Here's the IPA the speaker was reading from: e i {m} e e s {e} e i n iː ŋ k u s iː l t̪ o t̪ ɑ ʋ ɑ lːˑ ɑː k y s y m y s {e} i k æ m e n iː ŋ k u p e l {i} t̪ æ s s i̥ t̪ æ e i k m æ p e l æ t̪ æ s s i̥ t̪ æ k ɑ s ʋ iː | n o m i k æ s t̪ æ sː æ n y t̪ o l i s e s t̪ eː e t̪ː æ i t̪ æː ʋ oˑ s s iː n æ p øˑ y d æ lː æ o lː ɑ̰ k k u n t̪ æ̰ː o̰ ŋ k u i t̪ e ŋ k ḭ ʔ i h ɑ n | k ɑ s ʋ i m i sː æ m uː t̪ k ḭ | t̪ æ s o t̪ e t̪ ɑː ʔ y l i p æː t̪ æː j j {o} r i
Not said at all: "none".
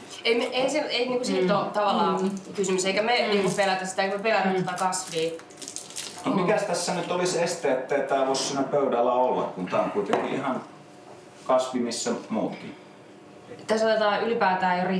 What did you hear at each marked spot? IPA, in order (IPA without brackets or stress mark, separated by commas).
m, e, e, æ, o